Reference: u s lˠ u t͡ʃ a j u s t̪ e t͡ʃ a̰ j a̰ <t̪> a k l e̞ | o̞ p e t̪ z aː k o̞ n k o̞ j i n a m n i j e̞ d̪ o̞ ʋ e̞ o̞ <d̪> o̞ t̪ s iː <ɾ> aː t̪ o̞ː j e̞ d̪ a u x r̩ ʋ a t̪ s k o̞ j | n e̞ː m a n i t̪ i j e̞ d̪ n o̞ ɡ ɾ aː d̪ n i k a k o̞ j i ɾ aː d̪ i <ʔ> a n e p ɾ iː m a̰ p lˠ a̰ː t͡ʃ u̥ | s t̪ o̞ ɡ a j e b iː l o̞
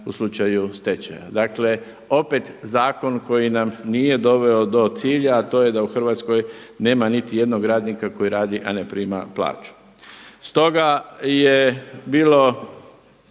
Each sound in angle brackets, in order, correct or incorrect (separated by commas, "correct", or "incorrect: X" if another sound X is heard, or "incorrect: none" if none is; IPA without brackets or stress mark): incorrect: d̪, correct, incorrect: ʎ, correct